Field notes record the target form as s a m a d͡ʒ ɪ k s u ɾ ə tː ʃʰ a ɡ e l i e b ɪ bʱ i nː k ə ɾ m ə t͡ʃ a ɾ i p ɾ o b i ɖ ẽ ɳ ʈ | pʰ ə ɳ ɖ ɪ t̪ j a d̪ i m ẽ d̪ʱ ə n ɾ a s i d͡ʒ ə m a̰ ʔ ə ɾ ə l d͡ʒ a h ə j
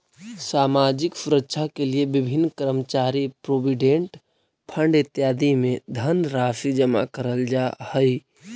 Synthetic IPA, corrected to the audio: s a m a d͡ʒ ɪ k s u ɾ ə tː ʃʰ a k e l i e b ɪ bʱ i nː k ə ɾ m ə t͡ʃ a ɾ i p ɾ o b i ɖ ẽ ɳ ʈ | pʰ ə ɳ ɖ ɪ t̪ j a d̪ i m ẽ d̪ʱ ə n ɾ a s i d͡ʒ ə m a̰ k ə ɾ ə l d͡ʒ a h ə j